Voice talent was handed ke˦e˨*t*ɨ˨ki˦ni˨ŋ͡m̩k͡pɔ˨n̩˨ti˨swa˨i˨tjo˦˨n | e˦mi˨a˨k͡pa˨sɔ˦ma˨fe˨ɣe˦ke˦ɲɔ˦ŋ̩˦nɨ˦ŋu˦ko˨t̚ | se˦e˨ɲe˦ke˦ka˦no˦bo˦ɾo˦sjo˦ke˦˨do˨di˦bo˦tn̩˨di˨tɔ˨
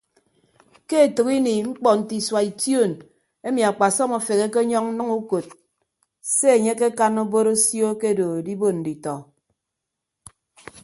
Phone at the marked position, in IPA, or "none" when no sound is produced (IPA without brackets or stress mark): t